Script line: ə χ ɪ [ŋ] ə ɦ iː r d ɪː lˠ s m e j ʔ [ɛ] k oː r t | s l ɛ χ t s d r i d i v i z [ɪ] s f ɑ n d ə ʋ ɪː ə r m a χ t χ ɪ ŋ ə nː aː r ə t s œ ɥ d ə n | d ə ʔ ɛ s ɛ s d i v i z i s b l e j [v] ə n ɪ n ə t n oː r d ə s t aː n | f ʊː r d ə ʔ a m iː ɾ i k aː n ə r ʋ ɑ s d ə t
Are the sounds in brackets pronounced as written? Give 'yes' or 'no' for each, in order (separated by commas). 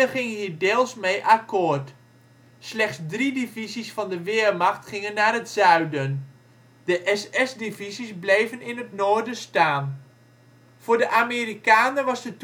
yes, no, no, yes